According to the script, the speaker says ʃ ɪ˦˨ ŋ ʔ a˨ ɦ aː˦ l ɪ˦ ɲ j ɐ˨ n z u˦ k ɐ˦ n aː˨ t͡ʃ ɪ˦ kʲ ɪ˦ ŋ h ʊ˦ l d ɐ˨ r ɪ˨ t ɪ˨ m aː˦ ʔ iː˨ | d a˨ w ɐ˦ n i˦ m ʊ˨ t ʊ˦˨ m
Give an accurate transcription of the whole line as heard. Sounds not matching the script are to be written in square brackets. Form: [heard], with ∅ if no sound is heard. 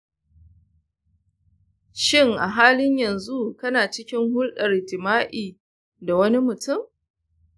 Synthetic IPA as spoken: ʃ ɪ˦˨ ŋ ʔ a˨ ɦ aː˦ l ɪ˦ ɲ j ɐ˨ n z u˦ k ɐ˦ n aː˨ t͡ʃ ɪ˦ kʲ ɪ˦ ŋ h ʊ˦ l [ɗ] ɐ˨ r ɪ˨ t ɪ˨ m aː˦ ʔ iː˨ | d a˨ w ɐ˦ n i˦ m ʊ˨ t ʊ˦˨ m